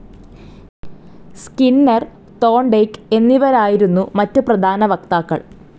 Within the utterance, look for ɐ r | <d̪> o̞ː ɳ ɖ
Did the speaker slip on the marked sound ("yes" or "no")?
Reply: yes